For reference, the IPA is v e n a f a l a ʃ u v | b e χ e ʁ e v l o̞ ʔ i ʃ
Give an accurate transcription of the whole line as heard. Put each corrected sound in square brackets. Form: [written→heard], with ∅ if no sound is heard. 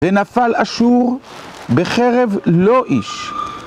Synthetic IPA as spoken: v e n a f a l a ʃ u [v→ʁ] | b e χ e ʁ e v l o̞ ʔ i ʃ